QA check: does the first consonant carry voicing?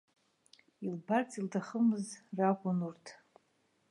yes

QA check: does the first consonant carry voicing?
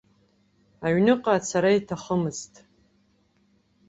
yes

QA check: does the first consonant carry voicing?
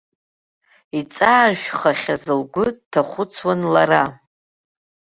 no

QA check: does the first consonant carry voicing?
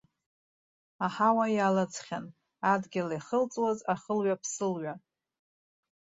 no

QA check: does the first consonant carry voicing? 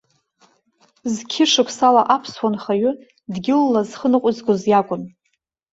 yes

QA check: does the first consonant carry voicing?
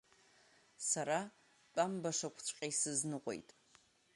no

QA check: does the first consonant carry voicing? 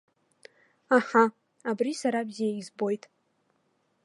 no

